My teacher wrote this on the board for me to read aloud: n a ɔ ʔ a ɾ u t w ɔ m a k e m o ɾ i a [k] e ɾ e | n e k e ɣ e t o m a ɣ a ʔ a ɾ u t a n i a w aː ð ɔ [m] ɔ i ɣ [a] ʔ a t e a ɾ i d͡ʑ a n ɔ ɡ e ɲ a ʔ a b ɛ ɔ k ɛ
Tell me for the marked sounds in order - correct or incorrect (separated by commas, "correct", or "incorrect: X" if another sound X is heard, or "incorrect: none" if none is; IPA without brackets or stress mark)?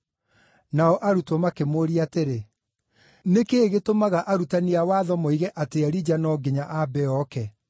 incorrect: t, correct, incorrect: ɛ